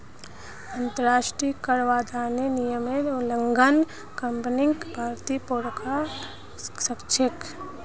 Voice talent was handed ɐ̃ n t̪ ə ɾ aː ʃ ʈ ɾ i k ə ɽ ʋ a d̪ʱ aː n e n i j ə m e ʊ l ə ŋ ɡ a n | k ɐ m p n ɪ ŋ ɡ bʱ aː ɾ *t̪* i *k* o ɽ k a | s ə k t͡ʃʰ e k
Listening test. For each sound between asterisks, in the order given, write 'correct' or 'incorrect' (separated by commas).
correct, incorrect